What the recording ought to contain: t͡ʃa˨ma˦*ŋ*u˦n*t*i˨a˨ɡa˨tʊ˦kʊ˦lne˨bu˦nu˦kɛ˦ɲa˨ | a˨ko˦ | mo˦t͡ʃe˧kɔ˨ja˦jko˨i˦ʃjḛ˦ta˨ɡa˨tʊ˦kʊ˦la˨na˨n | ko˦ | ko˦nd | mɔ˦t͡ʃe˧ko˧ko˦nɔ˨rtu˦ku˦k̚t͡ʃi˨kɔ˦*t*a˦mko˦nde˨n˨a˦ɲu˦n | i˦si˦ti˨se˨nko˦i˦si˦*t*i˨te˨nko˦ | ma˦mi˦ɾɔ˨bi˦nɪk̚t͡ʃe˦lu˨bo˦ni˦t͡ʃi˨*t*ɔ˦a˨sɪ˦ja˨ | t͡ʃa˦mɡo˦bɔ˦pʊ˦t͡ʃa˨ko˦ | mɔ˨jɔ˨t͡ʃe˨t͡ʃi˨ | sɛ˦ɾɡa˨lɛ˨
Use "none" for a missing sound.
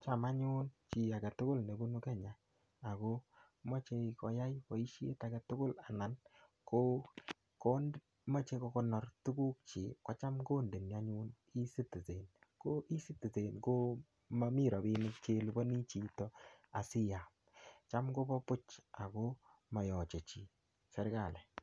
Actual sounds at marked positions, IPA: ɲ, t͡ʃ, t͡ʃ, t, t

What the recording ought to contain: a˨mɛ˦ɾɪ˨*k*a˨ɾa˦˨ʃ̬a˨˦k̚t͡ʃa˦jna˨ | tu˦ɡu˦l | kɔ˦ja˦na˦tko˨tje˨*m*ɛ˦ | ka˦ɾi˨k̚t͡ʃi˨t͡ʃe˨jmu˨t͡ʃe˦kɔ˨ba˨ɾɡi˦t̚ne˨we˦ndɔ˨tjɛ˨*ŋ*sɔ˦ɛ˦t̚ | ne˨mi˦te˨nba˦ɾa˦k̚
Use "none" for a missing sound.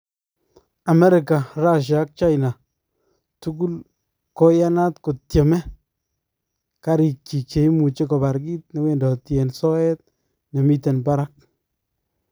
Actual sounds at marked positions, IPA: k, m, n

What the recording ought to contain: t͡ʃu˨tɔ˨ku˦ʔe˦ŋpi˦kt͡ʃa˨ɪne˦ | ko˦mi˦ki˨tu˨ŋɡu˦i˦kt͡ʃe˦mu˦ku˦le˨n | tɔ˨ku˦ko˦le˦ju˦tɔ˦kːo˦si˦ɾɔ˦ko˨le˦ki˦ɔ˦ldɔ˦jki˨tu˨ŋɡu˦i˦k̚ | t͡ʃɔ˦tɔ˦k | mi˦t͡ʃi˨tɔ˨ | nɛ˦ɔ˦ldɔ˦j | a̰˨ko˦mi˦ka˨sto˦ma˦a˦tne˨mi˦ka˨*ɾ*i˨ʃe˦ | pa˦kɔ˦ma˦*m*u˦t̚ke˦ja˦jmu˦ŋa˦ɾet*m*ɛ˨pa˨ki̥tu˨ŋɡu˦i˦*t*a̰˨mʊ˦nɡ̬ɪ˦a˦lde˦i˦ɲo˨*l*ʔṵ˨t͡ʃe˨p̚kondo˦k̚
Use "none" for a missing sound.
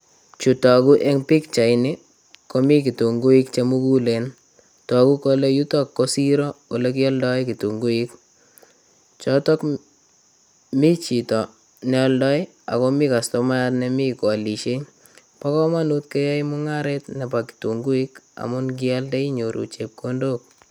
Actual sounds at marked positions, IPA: l, n, n, k, ɾ

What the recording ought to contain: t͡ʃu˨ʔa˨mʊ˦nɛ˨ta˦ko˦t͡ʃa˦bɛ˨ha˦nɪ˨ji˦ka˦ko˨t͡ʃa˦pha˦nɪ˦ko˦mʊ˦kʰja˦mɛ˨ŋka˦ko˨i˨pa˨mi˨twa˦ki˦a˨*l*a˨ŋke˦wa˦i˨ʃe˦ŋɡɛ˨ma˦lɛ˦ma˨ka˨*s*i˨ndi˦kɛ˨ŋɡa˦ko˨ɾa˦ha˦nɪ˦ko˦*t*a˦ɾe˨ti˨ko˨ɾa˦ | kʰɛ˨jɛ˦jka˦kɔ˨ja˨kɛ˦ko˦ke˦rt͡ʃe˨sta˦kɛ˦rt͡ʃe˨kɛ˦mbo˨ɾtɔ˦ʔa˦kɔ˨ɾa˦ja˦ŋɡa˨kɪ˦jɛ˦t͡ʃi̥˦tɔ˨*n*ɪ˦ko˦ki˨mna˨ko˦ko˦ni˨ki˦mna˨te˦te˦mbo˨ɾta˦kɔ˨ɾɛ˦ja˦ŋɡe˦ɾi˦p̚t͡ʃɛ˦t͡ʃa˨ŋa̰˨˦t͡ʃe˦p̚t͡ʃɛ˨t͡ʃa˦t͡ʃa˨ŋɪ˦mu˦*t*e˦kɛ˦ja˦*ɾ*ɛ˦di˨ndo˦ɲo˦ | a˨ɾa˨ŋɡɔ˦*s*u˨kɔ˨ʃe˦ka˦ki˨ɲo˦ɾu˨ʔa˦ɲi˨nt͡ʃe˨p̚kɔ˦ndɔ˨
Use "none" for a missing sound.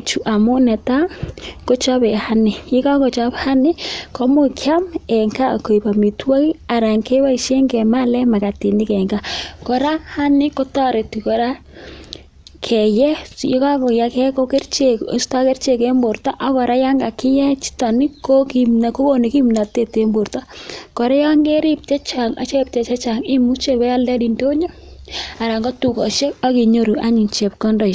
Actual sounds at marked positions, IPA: ɾ, t, t, n, t͡ʃ, l, t

